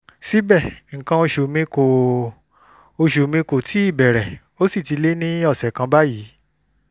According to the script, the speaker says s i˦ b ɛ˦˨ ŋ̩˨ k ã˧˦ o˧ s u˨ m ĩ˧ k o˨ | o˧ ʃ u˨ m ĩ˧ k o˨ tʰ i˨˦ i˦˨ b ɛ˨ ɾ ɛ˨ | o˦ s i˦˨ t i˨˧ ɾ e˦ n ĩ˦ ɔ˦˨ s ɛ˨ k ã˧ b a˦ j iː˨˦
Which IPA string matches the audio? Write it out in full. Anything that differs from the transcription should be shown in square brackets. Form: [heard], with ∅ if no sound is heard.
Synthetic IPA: s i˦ b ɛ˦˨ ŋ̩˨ k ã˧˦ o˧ [ʃ] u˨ m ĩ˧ k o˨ | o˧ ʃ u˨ m ĩ˧ k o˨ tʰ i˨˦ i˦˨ b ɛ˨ ɾ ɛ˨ | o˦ s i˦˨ t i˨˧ [l] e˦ n ĩ˦ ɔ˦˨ s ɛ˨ k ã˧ b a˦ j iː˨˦